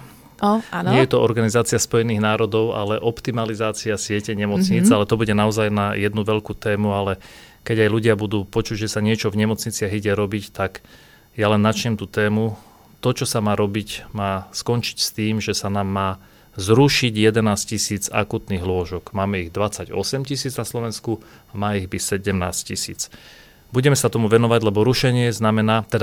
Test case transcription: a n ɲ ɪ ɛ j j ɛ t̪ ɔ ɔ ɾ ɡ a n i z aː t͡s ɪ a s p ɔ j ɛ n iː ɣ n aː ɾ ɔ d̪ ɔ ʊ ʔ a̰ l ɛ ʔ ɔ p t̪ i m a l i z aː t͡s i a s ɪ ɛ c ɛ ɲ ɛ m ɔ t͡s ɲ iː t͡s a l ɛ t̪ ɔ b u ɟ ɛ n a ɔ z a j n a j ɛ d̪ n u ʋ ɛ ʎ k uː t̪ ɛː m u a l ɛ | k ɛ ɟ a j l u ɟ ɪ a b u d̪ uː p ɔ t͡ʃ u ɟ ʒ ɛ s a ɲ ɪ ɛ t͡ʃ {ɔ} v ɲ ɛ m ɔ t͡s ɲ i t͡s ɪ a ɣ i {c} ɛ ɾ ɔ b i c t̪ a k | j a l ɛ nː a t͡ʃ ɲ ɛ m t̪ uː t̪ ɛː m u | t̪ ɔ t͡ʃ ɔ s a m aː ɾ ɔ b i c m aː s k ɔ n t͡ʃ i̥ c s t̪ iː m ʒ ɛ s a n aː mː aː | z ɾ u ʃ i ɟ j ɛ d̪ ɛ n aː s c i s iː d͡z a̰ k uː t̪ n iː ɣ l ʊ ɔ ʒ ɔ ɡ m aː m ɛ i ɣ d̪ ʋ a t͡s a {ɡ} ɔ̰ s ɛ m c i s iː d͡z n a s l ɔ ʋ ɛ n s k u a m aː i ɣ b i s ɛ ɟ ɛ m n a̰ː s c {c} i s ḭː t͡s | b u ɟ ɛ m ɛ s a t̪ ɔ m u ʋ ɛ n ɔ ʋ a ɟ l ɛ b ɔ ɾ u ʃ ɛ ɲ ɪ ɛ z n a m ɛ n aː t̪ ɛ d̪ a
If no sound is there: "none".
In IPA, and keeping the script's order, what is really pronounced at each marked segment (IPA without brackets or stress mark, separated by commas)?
ɔ, ɟ, ɟ, c